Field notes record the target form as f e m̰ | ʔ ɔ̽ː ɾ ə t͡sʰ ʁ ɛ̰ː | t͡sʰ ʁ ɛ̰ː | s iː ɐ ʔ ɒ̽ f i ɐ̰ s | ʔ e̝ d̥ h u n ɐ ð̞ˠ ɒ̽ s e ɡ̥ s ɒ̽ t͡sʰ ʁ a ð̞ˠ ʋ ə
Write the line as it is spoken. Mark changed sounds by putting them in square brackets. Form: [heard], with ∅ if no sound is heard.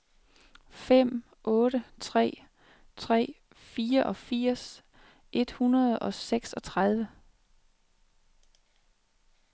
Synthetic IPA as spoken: f e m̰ | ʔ ɔ̽ː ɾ ə t͡sʰ ʁ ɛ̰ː | t͡sʰ ʁ ɛ̰ː | [f] iː ɐ ʔ ɒ̽ f i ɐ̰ s | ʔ e̝ d̥ h u n ɐ ð̞ˠ ɒ̽ s e ɡ̥ s ɒ̽ t͡sʰ ʁ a ð̞ˠ ʋ ə